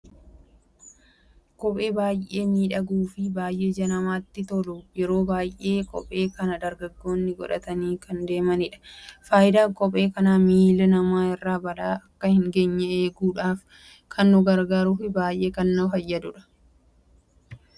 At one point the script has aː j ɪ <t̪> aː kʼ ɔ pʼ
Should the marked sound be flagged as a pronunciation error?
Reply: yes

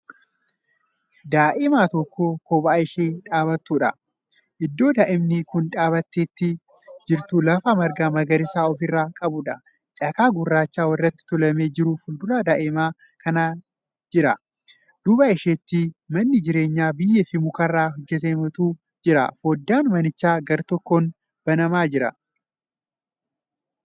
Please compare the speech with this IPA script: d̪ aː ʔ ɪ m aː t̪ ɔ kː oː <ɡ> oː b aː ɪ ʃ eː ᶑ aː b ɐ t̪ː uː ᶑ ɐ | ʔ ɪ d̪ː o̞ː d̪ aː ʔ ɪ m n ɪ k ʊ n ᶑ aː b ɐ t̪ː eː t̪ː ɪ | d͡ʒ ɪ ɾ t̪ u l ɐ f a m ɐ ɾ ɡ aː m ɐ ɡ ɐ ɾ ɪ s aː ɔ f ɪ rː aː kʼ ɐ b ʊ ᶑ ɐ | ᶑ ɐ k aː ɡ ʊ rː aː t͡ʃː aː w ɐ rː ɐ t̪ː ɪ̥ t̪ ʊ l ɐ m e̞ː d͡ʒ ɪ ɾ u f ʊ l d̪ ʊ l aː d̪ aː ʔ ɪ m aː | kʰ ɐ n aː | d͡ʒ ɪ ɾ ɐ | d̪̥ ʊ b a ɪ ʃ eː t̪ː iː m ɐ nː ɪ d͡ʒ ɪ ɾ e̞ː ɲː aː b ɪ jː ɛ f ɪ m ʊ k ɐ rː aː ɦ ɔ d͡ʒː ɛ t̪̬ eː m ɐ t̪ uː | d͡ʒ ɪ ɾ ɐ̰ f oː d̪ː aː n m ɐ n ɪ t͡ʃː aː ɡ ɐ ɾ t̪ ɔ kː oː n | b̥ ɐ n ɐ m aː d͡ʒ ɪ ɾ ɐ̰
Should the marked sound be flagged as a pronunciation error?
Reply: yes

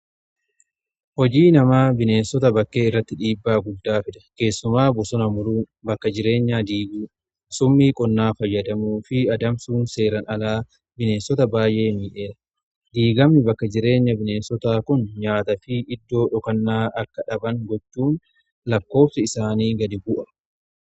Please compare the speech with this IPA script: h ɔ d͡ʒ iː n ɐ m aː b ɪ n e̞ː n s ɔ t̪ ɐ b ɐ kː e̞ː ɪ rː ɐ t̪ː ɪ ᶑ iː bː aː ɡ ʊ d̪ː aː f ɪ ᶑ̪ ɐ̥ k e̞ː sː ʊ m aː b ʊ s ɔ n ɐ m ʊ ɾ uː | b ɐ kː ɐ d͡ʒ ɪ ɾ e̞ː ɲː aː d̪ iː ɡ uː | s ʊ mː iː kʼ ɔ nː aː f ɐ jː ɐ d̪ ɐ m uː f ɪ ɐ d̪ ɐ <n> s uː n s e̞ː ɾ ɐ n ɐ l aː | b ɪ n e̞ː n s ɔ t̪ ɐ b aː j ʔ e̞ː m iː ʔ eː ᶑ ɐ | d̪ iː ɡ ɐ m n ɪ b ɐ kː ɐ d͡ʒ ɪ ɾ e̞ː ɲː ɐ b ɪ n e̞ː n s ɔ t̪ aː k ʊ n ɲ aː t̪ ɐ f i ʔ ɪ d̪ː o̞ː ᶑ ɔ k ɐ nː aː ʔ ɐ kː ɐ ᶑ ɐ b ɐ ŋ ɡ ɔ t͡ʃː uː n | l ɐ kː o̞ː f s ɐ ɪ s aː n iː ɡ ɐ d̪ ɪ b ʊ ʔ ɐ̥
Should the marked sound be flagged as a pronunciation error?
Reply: yes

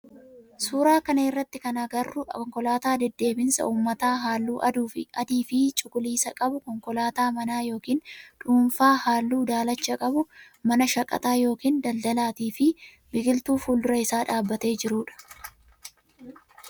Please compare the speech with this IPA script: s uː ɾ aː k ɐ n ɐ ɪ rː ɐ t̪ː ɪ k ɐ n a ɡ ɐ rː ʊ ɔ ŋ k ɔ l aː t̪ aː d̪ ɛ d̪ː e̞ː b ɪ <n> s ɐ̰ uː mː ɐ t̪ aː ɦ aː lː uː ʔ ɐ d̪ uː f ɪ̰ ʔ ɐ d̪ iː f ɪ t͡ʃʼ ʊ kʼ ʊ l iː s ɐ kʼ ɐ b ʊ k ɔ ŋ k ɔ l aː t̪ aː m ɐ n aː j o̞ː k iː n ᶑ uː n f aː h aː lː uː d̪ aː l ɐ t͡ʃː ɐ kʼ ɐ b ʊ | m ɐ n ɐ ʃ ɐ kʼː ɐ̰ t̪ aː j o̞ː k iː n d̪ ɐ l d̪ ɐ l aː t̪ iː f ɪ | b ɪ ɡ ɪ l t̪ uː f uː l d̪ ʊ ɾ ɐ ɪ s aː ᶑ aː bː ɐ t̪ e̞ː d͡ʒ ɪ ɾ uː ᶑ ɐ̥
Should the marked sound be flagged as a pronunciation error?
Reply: no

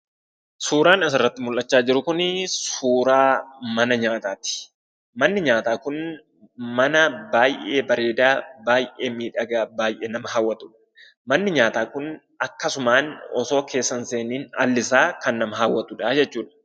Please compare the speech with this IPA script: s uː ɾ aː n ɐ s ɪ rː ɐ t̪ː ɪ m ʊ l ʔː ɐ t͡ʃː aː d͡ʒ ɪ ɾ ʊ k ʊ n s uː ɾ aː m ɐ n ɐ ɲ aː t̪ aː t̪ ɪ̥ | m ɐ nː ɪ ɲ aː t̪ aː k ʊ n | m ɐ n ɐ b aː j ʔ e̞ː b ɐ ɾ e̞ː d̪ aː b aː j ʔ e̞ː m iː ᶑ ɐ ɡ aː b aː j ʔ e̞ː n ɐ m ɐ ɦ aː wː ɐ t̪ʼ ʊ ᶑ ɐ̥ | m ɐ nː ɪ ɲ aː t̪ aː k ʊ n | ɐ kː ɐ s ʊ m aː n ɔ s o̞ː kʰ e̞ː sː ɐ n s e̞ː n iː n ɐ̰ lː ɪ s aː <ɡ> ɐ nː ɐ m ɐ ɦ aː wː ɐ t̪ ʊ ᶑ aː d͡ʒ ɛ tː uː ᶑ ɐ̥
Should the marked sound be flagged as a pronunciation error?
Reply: yes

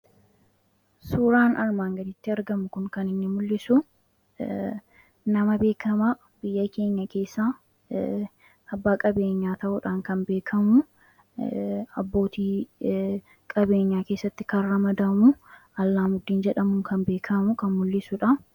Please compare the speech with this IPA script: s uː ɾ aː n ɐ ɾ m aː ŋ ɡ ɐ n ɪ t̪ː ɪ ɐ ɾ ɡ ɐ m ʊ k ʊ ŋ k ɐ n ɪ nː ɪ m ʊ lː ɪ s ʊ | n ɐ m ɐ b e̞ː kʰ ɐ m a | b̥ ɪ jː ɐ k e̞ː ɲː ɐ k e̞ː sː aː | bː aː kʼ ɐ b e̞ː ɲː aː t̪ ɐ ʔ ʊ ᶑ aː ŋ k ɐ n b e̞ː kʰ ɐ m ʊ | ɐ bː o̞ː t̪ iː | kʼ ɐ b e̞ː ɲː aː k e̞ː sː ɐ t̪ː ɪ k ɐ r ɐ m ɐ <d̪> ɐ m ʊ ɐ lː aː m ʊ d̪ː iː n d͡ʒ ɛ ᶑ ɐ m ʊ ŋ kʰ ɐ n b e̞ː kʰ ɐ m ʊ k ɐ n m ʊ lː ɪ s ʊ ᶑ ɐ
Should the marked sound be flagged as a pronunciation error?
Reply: no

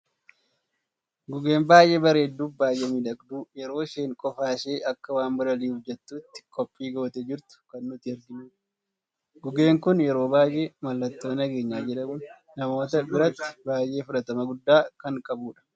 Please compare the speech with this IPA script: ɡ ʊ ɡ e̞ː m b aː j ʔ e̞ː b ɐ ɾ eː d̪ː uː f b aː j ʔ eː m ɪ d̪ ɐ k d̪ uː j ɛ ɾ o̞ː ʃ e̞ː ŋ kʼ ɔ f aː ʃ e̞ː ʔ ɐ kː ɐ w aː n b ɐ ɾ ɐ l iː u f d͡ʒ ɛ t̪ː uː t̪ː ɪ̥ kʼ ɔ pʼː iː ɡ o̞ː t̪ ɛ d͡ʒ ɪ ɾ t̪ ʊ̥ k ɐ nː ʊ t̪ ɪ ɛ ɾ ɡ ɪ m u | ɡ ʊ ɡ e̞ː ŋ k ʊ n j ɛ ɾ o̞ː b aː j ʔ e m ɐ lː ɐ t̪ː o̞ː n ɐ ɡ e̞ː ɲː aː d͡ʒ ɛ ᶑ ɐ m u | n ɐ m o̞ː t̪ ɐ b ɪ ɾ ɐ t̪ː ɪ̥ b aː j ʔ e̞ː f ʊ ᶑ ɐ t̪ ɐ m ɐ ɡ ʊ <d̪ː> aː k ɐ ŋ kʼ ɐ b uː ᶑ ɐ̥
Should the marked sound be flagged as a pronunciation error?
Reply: no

